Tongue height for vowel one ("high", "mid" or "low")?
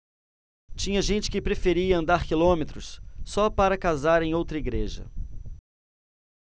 high